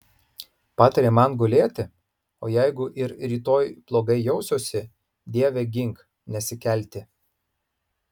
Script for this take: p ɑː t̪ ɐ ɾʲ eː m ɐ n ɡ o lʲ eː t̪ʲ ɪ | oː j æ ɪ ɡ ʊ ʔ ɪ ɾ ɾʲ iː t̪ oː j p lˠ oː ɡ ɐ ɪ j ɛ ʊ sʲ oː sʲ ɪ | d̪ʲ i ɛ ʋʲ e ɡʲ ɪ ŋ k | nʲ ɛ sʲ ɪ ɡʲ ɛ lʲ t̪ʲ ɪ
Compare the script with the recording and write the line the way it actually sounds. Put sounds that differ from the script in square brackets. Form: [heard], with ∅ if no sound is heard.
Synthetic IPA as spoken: p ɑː t̪ ɐ ɾʲ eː m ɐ n ɡ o lʲ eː t̪ʲ ɪ | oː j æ ɪ ɡ ʊ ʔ ɪ ɾ ɾʲ iː t̪ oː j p lˠ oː ɡ ɐ ɪ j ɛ ʊ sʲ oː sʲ ɪ | d̪ʲ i ɛ ʋʲ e ɡʲ ɪ ŋ k | nʲ ɛ sʲ ɪ [kʲ] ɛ lʲ t̪ʲ ɪ